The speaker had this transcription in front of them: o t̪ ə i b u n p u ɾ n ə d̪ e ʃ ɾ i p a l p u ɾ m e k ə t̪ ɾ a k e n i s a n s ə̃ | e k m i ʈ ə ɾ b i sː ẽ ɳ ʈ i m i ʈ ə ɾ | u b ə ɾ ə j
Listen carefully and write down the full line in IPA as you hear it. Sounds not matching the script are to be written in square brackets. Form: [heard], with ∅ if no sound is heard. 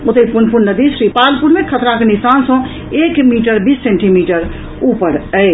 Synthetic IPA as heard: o t̪ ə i [p] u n p u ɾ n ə d̪ [i] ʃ ɾ i p a l p u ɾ m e [kʰ] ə t̪ ɾ a k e n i s a n s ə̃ | e k m i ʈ ə ɾ b i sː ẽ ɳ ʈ i m i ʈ ə ɾ | u [p] ə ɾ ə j